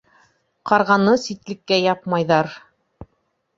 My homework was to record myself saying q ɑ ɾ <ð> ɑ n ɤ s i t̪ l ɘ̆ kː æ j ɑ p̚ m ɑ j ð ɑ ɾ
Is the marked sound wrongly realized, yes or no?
yes